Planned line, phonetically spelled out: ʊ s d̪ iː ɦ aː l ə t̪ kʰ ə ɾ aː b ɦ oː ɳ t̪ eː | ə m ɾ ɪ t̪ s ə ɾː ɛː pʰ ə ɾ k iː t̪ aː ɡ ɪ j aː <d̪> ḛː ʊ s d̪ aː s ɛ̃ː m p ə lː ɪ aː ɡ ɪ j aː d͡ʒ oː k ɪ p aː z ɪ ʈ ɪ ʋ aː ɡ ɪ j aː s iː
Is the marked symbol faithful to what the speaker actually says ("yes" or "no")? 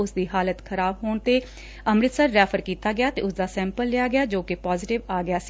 no